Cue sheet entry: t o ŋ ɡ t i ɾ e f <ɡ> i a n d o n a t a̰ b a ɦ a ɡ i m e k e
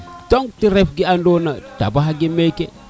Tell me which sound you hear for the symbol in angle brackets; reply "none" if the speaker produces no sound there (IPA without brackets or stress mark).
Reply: ɡ